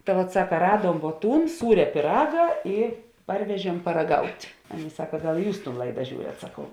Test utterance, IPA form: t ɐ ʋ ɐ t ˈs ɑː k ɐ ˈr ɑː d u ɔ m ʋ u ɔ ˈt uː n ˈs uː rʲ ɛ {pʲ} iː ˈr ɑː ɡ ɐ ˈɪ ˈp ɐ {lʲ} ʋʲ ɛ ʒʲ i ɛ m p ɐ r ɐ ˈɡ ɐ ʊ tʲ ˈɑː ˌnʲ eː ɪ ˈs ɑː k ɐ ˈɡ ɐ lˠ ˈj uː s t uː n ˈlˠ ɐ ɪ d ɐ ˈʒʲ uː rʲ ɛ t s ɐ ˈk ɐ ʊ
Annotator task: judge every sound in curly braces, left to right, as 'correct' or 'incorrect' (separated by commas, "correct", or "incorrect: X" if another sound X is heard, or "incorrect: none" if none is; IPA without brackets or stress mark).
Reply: correct, incorrect: rʲ